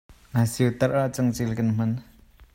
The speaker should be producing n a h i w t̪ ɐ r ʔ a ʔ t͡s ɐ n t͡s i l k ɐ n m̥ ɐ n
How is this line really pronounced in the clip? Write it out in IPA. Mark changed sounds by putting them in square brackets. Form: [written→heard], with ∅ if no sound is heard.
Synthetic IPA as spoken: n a [h→s] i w t̪ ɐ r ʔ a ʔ t͡s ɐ [n→ŋ] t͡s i l k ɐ n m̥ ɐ n